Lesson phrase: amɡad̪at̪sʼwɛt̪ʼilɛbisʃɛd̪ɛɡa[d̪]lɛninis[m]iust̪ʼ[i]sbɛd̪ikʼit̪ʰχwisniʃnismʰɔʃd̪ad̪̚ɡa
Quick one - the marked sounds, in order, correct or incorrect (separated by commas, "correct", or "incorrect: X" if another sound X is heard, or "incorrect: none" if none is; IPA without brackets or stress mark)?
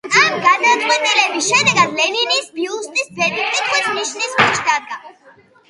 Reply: correct, incorrect: b, correct